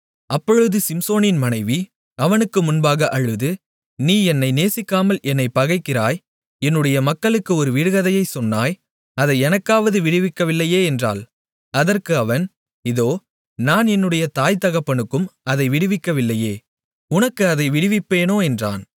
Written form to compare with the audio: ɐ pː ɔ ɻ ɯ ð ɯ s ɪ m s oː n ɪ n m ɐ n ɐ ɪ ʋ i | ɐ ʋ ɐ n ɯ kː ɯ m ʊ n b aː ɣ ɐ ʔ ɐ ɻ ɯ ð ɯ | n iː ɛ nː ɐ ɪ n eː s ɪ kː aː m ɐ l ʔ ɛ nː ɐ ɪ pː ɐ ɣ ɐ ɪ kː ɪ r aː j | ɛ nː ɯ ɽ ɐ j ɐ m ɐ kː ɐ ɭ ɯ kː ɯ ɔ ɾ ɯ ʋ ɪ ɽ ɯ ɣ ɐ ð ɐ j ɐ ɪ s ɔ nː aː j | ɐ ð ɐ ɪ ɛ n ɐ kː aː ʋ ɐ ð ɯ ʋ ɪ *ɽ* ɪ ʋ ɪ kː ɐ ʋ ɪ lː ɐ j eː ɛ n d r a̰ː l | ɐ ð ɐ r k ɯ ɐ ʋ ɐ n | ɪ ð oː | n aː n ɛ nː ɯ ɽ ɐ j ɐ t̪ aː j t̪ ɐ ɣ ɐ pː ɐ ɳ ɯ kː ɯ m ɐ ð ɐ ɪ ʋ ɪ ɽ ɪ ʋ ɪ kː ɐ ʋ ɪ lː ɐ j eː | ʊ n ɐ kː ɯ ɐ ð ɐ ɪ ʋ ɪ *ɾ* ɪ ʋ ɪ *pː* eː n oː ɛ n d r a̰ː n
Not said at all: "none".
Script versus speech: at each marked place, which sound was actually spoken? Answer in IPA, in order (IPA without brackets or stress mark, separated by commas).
ɽ, ɽ, pː